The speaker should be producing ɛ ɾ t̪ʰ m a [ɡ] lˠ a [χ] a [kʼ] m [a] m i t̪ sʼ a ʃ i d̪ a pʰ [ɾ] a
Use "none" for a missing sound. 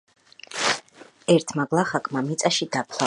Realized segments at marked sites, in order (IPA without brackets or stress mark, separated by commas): ɡ, χ, kʼ, a, l